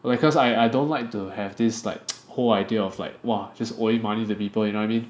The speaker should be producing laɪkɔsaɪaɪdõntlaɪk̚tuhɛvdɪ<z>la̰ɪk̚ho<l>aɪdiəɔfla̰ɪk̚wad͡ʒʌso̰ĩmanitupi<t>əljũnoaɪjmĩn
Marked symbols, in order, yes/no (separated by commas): no, yes, no